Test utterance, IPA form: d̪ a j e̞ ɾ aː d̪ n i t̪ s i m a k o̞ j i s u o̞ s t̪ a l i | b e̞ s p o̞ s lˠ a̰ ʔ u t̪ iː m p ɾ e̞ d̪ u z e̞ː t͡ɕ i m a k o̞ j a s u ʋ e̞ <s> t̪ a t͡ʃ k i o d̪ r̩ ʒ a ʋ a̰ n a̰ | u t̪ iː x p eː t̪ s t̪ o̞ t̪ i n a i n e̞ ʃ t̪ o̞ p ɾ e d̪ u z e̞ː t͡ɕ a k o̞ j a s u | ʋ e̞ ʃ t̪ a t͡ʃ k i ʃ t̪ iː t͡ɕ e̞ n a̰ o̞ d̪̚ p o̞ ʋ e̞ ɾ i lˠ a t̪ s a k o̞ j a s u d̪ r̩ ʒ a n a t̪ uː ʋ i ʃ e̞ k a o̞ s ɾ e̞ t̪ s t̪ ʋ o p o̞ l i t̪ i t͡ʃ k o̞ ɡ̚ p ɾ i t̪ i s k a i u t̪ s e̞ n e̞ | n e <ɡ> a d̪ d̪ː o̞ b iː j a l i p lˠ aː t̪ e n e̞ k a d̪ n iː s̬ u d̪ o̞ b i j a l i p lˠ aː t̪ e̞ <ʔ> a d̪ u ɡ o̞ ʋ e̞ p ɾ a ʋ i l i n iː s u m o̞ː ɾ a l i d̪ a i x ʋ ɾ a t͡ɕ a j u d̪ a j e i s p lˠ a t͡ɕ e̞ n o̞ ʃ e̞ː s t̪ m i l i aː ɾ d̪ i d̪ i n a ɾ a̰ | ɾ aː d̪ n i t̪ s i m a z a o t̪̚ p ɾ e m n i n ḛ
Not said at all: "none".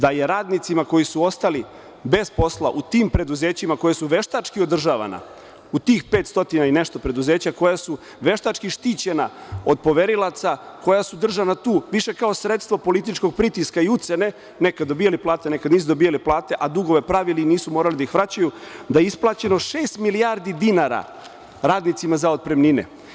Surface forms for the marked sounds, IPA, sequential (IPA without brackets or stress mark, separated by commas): ʃ, k, ʔ